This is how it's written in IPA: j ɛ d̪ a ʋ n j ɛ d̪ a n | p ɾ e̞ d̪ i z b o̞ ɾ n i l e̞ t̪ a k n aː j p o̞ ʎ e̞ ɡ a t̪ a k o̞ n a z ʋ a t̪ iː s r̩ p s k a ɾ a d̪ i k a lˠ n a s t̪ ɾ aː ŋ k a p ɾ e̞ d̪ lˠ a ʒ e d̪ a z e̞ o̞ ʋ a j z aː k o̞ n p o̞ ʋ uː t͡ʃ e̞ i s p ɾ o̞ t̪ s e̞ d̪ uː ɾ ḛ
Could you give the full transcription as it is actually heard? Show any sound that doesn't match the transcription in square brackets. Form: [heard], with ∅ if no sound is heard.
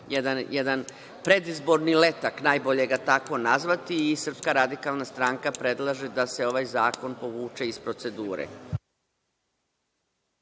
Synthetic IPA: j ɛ d̪ a [∅] n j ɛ d̪ a n | p ɾ e̞ d̪ i z b o̞ ɾ n i l e̞ t̪ a k n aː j [b] o̞ ʎ e̞ ɡ a t̪ a k o̞ n a z ʋ a t̪ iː s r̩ p s k a ɾ a d̪ i k a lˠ n a s t̪ ɾ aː ŋ k a p ɾ e̞ d̪ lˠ a ʒ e d̪ a [s] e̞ o̞ ʋ a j z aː k o̞ n p o̞ ʋ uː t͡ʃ e̞ i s p ɾ o̞ t̪ s e̞ d̪ uː ɾ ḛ